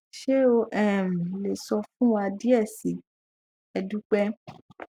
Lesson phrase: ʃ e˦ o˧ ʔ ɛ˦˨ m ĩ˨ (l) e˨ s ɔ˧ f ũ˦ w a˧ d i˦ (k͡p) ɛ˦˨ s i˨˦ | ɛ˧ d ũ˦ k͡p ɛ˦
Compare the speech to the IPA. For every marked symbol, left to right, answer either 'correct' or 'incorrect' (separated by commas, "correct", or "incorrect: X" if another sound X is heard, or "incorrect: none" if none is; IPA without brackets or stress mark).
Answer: correct, incorrect: none